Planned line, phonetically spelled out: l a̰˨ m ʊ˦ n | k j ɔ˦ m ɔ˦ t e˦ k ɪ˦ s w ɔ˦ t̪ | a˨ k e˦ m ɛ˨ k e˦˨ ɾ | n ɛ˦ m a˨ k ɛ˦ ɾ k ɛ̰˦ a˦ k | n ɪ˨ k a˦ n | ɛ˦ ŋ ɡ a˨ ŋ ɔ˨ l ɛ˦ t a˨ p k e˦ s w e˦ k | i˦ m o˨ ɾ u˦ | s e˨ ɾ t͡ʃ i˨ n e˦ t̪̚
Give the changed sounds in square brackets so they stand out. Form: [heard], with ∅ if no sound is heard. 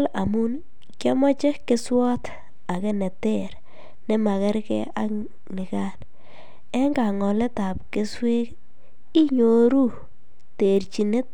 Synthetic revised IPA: l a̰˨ m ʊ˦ n | k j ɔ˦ m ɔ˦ [t͡ʃ] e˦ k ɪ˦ s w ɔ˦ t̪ | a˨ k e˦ [n] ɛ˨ [t] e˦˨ ɾ | n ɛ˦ m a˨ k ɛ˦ ɾ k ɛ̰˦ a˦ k | n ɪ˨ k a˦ n | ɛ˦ ŋ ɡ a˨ ŋ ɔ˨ l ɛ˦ t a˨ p k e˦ s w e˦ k | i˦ [ɲ] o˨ ɾ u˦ | [t] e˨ ɾ t͡ʃ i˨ n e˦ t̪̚